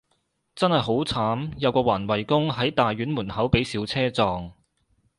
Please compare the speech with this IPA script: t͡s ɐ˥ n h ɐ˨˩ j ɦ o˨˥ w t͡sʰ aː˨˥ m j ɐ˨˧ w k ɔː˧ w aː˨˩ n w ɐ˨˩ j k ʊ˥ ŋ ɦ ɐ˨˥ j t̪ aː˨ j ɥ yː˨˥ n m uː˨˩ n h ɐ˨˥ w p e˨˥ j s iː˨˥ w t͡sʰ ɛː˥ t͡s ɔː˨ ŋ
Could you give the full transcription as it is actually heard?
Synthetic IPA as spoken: t͡s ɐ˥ n h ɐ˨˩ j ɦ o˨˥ w t͡sʰ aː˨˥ m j ɐ˨˧ w k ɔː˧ w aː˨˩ n w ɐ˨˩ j k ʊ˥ ŋ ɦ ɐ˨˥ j t̪ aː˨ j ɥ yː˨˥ n m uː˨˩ n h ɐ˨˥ w p e˨˥ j s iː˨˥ w t͡sʰ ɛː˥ t͡s ɔː˨ ŋ